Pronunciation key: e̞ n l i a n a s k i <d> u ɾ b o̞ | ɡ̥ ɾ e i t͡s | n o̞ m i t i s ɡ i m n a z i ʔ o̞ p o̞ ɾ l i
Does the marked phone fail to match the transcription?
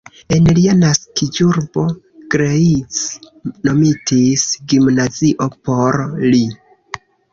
yes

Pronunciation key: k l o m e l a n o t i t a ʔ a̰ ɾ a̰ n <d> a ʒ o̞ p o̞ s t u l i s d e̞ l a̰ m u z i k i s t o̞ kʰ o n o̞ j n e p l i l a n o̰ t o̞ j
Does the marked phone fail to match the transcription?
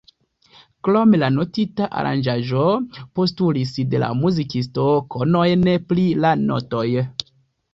yes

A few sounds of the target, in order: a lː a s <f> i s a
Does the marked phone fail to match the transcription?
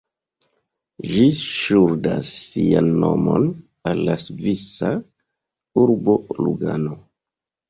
yes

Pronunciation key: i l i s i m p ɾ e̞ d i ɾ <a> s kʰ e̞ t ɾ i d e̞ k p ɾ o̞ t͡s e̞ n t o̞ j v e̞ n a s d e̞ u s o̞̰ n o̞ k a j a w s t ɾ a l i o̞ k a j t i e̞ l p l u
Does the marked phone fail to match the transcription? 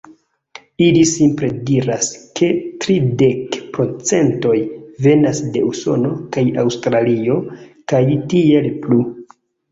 no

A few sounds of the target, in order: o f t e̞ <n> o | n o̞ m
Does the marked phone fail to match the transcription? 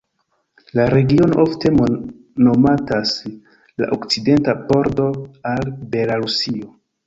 yes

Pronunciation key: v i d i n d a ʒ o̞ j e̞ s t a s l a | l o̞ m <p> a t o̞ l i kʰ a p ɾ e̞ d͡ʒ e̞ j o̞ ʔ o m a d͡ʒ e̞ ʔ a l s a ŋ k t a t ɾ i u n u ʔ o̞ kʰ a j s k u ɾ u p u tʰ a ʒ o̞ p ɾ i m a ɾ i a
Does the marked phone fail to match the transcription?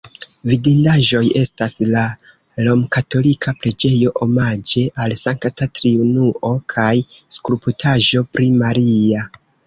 yes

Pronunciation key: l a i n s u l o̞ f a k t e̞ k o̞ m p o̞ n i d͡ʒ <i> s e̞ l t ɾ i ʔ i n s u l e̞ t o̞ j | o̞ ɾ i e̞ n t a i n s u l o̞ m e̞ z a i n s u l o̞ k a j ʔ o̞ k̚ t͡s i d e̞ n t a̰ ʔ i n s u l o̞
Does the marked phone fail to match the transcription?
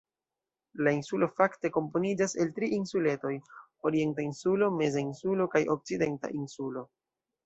yes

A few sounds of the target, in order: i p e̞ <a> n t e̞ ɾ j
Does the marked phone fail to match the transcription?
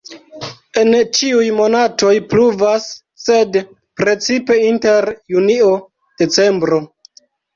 yes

